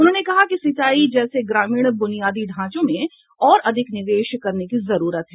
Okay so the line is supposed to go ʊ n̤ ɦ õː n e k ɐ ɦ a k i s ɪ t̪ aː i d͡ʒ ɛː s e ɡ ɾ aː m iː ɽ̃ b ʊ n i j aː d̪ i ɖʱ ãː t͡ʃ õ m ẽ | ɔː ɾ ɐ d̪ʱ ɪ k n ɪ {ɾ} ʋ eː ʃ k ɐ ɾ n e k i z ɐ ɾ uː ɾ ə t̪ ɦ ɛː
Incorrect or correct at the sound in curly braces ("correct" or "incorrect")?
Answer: incorrect